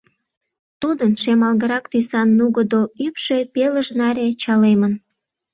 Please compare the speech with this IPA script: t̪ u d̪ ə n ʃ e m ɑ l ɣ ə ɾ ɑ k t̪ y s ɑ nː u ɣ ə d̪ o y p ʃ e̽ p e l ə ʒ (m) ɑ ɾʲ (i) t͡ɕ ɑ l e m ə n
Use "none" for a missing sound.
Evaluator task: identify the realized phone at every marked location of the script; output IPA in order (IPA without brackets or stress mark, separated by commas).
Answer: n, e